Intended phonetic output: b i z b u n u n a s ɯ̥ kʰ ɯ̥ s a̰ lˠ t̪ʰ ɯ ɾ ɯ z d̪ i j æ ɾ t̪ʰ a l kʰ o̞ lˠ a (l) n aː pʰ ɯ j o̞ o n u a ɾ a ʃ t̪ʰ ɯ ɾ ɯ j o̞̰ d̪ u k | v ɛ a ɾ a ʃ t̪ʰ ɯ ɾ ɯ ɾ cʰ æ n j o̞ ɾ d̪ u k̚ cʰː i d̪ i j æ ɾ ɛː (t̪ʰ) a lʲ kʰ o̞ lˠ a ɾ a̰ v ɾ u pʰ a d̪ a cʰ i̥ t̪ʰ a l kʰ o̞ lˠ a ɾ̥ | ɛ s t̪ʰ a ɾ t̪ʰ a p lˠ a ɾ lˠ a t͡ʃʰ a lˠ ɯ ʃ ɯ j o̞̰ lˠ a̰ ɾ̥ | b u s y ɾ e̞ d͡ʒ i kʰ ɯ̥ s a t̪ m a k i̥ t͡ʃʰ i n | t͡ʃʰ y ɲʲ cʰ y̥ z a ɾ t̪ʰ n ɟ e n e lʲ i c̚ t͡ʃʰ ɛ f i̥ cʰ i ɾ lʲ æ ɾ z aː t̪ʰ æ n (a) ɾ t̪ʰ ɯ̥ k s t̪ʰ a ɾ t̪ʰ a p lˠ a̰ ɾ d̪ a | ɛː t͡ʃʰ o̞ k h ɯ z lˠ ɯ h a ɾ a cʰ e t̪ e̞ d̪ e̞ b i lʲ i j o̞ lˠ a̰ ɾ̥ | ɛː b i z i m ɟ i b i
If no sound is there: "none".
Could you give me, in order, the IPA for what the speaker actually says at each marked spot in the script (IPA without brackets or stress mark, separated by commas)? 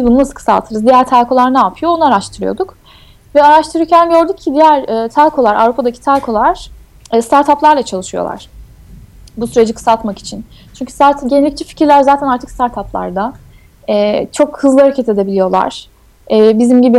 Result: ɾ, t̪ʰ, a